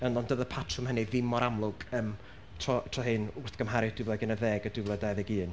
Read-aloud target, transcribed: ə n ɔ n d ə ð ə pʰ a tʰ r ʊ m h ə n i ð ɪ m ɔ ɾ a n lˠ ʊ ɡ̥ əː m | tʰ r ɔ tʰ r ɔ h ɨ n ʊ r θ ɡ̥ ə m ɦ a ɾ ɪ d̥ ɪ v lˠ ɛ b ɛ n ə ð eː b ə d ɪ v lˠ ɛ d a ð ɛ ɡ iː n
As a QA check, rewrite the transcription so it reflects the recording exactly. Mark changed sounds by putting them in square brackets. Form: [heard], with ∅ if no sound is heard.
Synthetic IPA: ə n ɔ n d ə ð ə pʰ a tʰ r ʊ m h ə n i ð ɪ m ɔ ɾ a [m] lˠ ʊ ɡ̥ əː m | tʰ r ɔ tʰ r ɔ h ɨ n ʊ r θ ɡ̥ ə m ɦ a ɾ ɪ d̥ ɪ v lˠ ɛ [ɡ] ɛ n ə ð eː [ɡ] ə d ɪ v lˠ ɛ d a ð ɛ ɡ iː n